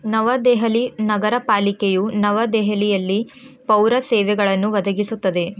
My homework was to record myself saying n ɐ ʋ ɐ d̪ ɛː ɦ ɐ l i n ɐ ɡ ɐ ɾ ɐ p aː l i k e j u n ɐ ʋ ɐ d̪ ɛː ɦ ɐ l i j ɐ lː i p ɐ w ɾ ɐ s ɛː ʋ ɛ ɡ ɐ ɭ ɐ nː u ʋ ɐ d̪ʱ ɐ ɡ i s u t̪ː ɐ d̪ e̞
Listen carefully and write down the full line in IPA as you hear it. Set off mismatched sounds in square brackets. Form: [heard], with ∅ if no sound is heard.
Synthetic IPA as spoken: n ɐ ʋ ɐ d̪ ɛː ɦ ɐ l i n ɐ ɡ ɐ ɾ ɐ p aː l i k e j u n ɐ ʋ ɐ d̪ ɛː ɦ ɐ l i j ɐ lː i p ɐ w ɾ ɐ s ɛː ʋ ɛ ɡ ɐ ɭ ɐ nː u ʋ ɐ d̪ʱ ɐ ɡ i s u t̪ː ɐ d̪ e̞